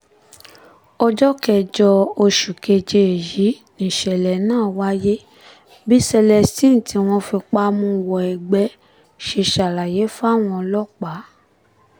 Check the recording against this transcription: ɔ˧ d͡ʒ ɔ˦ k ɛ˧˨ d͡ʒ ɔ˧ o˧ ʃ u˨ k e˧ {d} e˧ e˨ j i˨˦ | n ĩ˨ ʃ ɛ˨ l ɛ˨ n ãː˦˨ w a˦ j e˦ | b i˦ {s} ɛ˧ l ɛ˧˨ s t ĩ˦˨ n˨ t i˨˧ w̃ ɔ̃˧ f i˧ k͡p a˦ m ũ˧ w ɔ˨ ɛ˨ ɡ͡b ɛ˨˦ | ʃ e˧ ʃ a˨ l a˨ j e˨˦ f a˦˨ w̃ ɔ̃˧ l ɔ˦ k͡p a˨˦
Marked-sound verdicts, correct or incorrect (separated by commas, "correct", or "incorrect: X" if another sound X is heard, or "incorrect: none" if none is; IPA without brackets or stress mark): incorrect: d͡ʒ, correct